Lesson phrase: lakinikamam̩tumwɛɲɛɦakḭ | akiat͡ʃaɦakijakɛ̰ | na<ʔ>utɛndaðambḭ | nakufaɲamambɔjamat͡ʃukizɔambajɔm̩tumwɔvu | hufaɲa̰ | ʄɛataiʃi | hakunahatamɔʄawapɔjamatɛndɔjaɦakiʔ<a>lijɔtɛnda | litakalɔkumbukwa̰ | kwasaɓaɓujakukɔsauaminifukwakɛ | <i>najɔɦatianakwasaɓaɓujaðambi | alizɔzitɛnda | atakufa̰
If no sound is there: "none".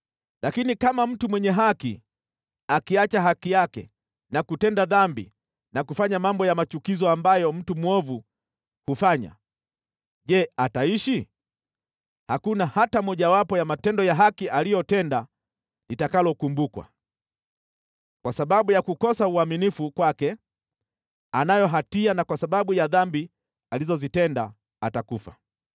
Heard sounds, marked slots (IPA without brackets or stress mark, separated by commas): k, a, a